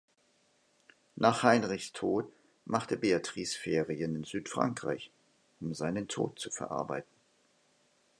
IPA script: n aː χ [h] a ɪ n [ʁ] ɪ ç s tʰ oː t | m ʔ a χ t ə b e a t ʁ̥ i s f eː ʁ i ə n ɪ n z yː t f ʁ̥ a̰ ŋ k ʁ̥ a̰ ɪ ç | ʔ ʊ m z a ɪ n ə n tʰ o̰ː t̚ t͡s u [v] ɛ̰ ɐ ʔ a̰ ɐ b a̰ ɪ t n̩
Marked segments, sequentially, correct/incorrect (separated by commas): correct, correct, incorrect